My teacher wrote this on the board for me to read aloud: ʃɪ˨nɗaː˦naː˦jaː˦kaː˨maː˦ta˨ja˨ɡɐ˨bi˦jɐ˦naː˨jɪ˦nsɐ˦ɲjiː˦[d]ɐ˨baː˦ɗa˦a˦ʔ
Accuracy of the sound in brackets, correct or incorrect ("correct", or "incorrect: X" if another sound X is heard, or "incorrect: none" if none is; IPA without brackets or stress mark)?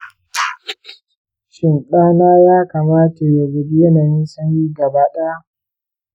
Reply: incorrect: ɡ